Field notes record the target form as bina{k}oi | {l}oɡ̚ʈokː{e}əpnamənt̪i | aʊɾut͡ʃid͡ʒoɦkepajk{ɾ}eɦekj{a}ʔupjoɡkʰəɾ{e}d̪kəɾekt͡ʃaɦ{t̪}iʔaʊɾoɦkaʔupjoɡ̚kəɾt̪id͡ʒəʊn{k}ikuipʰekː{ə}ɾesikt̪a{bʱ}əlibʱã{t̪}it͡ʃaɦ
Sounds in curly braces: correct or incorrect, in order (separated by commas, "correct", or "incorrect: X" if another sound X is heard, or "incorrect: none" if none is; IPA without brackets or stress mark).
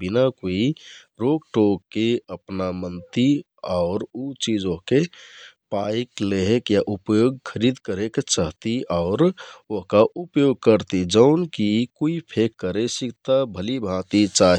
correct, incorrect: ɾ, correct, incorrect: l, correct, incorrect: i, correct, correct, correct, correct, correct